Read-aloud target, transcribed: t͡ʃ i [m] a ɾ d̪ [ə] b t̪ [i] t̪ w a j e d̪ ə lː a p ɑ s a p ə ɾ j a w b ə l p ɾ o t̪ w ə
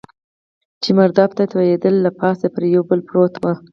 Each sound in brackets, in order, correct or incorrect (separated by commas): correct, incorrect, incorrect